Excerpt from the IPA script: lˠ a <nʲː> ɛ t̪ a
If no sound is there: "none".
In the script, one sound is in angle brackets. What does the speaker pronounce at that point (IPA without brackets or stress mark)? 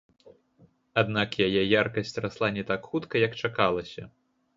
nʲ